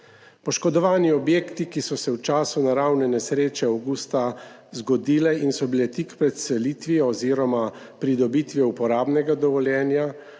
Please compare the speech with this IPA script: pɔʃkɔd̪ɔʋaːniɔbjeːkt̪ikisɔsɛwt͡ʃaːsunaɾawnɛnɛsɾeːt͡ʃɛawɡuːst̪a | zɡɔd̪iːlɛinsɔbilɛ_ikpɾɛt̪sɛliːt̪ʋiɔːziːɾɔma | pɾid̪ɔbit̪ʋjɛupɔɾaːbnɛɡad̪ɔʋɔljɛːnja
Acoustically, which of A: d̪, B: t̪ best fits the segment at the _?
B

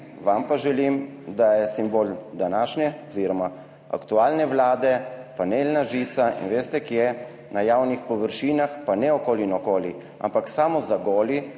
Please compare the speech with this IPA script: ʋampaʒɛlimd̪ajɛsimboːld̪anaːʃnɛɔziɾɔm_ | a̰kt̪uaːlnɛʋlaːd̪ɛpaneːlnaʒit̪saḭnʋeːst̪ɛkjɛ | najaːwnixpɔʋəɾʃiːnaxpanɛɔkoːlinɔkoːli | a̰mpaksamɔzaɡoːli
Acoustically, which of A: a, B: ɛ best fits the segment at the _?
A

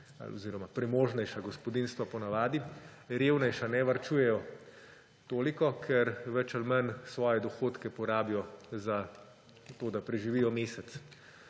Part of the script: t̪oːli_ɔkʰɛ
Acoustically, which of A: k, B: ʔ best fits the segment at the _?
A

